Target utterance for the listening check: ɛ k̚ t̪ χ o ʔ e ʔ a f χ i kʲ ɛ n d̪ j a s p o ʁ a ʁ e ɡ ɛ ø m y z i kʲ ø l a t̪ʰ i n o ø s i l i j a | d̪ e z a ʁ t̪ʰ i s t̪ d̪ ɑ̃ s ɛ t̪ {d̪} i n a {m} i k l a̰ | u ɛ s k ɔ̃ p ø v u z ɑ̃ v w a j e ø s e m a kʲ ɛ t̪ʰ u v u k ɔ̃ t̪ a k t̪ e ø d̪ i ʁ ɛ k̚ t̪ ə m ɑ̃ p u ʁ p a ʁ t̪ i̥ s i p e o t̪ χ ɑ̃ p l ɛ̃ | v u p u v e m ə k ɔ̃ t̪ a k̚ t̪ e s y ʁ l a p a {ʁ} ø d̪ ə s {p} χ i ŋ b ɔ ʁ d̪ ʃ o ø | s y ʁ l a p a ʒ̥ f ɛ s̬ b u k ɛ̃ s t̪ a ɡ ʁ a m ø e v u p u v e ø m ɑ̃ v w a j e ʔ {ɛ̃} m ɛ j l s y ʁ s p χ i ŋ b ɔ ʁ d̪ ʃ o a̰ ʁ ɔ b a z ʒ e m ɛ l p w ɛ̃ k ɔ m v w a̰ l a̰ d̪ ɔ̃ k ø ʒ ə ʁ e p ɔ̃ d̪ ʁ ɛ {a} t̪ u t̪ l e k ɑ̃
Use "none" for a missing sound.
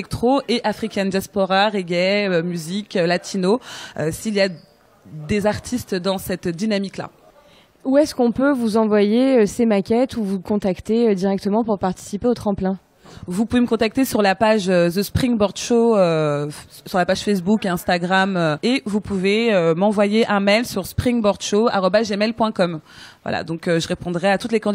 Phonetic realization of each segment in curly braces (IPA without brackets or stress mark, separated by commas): d̪, m, ʒ, p, ɛ̃, a